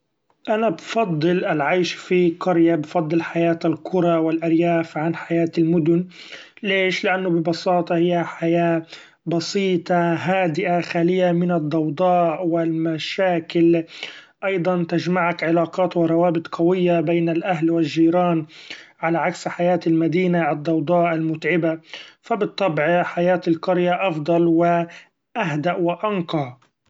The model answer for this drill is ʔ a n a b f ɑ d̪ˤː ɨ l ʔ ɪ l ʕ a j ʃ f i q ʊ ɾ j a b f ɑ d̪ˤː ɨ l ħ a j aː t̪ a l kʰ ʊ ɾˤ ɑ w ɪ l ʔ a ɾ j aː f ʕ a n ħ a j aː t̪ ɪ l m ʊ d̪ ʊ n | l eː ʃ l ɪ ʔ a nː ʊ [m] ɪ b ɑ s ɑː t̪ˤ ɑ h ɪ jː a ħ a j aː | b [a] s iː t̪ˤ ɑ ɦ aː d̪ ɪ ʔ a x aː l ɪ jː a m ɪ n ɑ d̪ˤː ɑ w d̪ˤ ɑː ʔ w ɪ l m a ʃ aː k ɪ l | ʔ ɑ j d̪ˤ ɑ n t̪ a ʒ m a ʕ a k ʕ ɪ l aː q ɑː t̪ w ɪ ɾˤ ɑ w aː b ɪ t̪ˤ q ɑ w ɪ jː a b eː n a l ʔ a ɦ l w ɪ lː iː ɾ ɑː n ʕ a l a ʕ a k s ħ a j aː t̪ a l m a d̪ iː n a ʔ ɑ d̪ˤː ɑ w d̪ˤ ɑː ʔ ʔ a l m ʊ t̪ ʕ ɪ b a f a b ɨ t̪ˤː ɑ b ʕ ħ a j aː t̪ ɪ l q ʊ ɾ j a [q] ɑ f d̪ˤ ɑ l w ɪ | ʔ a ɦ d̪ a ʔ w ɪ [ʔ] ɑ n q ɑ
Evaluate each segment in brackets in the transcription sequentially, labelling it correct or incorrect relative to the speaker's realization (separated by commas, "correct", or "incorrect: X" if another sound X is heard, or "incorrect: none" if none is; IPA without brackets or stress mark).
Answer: incorrect: b, incorrect: ɑ, incorrect: ʔ, correct